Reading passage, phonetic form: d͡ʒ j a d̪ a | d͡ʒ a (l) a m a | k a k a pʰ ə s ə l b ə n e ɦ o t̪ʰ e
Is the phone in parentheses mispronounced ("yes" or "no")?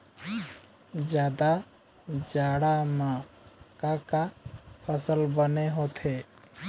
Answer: yes